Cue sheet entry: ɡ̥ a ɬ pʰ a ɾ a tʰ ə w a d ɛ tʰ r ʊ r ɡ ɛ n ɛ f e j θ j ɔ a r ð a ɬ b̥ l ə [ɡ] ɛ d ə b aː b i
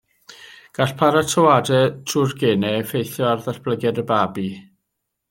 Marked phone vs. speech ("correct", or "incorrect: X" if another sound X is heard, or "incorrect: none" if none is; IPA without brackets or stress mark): correct